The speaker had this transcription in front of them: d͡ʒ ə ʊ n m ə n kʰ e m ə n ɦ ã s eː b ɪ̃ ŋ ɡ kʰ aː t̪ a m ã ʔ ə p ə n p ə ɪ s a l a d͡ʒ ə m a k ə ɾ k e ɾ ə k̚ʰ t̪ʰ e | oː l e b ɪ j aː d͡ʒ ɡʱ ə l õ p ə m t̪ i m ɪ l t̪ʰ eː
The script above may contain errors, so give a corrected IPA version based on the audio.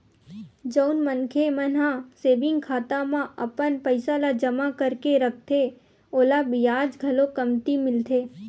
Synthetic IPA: d͡ʒ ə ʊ n m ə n kʰ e m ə n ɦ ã s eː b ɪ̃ ŋ ɡ kʰ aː t̪ a m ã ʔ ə p ə n p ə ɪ s a l a d͡ʒ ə m a k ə ɾ k e ɾ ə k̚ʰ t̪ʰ e | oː l a b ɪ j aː d͡ʒ ɡʱ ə l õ k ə m t̪ i m ɪ l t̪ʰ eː